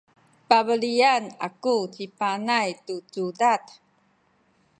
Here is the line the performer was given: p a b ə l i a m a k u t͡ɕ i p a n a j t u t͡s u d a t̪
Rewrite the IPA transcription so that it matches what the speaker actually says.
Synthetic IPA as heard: p a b ə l i a n a k u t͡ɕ i p a n a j t u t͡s u d a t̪